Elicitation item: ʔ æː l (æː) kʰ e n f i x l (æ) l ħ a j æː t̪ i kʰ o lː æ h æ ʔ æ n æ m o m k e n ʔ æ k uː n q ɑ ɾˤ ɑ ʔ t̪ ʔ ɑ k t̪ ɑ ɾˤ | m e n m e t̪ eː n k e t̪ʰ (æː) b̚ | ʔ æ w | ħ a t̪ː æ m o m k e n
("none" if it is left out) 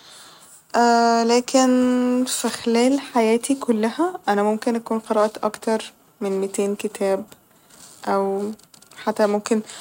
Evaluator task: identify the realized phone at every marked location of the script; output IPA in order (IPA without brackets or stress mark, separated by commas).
æː, æː, æː